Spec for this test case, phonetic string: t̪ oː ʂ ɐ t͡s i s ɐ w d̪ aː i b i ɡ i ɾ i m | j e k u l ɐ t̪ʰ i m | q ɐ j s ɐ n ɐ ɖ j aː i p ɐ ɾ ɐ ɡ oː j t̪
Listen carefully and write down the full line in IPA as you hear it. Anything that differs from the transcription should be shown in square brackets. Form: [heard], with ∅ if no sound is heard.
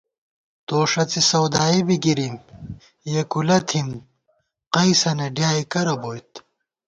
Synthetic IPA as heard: t̪ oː ʂ ɐ t͡s i s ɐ w d̪ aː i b i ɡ i ɾ i m | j e k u l ɐ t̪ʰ i m | q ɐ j s ɐ n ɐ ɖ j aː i [k] ɐ ɾ ɐ [b] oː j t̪